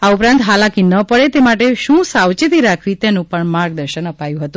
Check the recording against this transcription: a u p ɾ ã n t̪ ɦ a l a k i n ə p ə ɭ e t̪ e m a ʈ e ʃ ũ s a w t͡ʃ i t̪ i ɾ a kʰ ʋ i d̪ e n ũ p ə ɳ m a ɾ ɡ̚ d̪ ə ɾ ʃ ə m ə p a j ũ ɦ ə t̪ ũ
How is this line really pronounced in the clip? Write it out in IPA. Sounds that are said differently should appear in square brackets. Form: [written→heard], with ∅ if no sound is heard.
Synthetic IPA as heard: a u p ɾ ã n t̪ ɦ a l a k i n ə p ə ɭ e t̪ e m a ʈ e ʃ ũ s a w t͡ʃ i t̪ i ɾ a kʰ ʋ i [d̪→t̪] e n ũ p ə ɳ m a ɾ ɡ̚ d̪ ə ɾ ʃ ə [m→n] ə p a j ũ ɦ ə t̪ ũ